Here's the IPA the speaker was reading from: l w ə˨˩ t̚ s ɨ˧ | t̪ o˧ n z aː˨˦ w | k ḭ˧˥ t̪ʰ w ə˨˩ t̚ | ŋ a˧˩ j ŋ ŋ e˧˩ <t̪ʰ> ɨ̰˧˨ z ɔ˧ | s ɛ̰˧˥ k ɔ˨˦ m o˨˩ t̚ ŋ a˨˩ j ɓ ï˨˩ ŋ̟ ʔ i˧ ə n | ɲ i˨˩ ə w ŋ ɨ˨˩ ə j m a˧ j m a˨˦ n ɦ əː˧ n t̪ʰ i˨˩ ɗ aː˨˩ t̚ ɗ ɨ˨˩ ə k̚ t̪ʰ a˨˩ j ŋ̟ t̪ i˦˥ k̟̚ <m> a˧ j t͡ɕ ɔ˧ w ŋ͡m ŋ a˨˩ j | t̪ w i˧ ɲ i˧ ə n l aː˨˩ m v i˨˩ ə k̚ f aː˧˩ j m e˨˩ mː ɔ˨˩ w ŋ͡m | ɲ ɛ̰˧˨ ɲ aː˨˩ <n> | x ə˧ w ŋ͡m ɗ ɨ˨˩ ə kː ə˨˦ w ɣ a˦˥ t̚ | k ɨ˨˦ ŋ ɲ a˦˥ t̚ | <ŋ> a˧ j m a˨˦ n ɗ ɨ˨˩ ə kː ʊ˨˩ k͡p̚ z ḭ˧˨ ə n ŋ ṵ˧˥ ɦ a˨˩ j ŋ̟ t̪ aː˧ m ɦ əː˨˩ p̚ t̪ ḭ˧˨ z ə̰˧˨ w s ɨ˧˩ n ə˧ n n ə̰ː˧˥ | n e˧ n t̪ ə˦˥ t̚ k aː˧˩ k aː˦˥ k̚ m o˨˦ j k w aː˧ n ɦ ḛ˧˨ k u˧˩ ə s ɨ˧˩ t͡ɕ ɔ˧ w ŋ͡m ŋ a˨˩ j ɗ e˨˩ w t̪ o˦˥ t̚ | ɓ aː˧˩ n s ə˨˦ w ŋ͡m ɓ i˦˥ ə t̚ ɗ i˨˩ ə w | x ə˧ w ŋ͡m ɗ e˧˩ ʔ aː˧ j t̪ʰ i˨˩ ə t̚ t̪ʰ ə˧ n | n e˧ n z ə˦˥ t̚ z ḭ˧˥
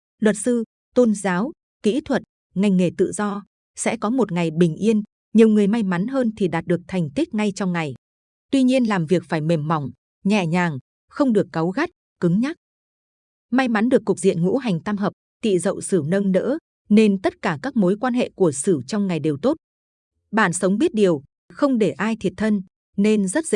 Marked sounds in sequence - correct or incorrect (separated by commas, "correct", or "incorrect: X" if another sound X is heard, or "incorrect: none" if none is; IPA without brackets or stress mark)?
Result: incorrect: t̪, incorrect: ŋ, incorrect: ŋ, incorrect: m